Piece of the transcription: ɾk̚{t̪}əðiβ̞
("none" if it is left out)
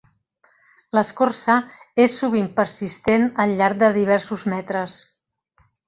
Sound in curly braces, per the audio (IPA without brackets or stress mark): d̪